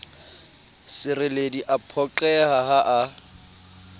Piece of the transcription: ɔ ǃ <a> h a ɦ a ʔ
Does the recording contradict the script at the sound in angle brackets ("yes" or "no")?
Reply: yes